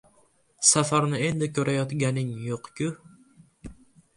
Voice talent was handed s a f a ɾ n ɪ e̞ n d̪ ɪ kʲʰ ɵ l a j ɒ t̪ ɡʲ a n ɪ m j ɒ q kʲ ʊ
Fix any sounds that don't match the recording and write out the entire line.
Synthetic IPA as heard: s a f a ɾ n ɪ e̞ n d̪ ɪ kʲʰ ɵ ɾ a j ɒ t̪ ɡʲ a n ɪ ŋ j o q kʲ ʊ